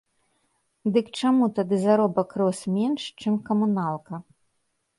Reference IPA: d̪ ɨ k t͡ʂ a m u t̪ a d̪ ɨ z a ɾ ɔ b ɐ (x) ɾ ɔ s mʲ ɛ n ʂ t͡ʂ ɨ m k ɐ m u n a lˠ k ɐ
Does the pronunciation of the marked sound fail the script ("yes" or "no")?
yes